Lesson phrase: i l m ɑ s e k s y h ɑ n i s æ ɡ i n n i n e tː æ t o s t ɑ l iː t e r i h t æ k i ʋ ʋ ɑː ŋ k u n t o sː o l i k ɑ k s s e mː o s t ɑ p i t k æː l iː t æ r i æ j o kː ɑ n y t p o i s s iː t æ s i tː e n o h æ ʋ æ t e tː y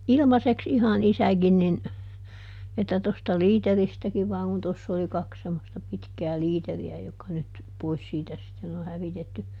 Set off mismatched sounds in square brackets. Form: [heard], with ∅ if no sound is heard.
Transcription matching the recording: i l m ɑ s e k s [i] h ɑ n i s æ ɡ i n n i n e tː æ t o s t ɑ l iː t e r i [s] t æ k i ʋ ʋ ɑː ŋ k u n t o sː o l i k ɑ k s s e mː o s t ɑ p i t k æː l iː t [e] r i æ j o kː ɑ n y t p o i s s iː t æ s i tː e n o h æ ʋ [i] t e tː y